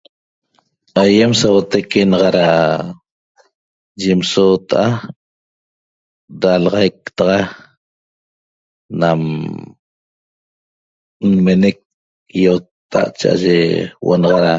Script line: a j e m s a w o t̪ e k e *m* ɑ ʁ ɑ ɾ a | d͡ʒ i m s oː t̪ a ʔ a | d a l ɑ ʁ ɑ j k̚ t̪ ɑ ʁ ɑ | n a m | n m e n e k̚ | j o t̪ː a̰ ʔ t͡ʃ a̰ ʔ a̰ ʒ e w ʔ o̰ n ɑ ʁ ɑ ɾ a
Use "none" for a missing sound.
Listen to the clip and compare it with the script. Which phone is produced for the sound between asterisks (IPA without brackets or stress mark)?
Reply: n